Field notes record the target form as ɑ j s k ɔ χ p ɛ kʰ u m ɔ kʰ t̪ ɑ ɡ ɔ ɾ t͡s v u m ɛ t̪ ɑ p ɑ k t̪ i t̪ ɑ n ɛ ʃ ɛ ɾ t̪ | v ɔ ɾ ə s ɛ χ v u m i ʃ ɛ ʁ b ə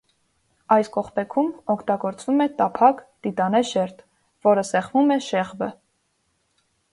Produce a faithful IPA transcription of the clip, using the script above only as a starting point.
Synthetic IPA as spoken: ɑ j s k ɔ χ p ɛ kʰ u m ɔ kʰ t̪ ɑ ɡ ɔ ɾ t͡s v u m ɛ t̪ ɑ pʰ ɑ k t̪ i t̪ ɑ n ɛ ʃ ɛ ɾ t̪ | v ɔ ɾ ə s ɛ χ v u m ɛ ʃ ɛ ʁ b ə